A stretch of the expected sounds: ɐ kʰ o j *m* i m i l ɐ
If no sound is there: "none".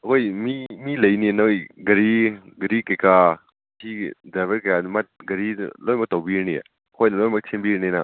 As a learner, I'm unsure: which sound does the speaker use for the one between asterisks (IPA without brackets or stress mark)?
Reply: m